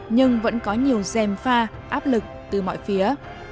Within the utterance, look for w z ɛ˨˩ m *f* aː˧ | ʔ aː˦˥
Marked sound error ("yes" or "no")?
no